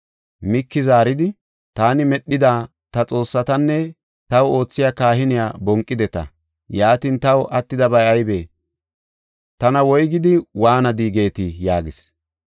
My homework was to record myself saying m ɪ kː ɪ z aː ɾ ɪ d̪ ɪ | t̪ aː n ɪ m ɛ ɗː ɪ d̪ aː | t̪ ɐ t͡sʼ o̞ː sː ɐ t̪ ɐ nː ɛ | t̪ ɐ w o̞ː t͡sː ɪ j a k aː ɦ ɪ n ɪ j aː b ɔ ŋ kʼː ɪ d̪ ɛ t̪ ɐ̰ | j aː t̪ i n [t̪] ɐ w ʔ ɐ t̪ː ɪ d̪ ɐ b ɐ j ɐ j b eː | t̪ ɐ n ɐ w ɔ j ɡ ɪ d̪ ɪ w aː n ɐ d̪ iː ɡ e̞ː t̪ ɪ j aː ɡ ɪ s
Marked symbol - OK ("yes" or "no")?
yes